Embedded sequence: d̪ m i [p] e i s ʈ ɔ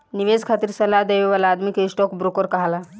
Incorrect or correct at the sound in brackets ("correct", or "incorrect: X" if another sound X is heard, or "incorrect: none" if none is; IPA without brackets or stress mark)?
incorrect: k